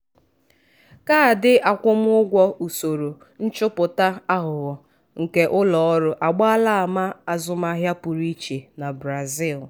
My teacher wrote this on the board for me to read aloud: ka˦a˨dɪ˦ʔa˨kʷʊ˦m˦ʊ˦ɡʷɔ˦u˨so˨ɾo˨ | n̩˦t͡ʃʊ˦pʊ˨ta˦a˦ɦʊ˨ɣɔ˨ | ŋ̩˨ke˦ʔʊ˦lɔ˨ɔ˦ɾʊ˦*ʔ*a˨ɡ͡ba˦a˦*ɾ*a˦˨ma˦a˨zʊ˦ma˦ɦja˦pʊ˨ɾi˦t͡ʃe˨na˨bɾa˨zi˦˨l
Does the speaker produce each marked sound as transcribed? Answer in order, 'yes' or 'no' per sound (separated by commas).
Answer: yes, no